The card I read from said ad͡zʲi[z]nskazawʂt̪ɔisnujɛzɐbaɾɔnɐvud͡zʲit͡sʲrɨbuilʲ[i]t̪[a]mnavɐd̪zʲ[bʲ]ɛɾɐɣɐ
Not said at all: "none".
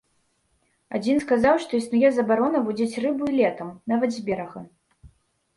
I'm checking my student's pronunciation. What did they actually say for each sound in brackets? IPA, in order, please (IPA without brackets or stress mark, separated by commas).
none, ɛ, ɐ, bʲ